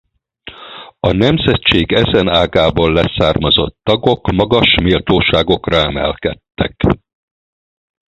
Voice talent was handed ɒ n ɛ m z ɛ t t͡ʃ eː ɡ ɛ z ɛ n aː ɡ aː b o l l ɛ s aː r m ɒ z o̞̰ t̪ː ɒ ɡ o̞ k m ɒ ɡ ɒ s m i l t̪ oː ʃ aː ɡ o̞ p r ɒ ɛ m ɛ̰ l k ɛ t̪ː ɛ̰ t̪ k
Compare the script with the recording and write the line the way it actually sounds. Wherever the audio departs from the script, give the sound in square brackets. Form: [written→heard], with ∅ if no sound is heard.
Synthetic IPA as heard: ɒ n ɛ m z ɛ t t͡ʃ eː ɡ ɛ z ɛ n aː ɡ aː b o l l ɛ s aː r m ɒ z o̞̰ t̪ː ɒ ɡ o̞ k m ɒ ɡ ɒ [s→ʃ] m i l t̪ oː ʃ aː ɡ o̞ [p→k] r ɒ ɛ m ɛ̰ l k ɛ t̪ː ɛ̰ [t̪→∅] k